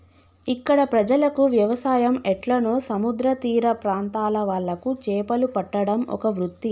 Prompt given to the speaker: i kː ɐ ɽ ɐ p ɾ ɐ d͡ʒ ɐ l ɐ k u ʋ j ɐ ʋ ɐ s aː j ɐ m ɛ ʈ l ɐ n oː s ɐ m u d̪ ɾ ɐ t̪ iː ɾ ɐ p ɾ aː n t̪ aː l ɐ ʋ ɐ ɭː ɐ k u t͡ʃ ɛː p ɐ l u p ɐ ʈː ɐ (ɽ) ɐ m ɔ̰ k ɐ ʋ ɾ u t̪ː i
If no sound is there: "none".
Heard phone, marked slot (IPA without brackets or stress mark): ɽ